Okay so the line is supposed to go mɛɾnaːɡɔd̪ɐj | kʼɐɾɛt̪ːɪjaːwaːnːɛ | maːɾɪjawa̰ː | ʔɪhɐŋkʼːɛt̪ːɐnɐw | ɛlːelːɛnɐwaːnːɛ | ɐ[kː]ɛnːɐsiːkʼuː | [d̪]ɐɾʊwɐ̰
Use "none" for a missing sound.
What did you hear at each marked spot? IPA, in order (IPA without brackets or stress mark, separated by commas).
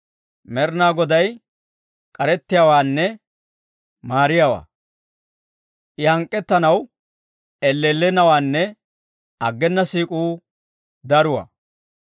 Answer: ɡː, d̪